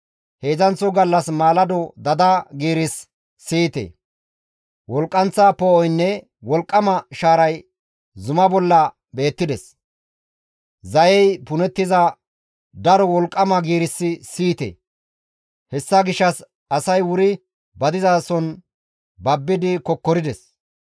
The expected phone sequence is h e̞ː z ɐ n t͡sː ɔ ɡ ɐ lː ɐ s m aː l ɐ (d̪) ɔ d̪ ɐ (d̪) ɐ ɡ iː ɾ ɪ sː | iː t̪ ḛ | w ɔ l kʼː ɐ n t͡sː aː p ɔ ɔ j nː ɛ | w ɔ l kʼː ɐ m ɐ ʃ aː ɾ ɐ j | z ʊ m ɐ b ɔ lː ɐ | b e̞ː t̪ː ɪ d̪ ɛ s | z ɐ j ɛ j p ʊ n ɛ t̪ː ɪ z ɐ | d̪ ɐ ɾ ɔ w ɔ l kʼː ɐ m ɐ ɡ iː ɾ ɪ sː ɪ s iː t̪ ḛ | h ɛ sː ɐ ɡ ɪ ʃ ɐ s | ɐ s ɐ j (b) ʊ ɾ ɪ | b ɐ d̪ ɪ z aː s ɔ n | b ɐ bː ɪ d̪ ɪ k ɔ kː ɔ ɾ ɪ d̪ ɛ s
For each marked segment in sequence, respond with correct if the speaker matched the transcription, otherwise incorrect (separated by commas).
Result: correct, correct, incorrect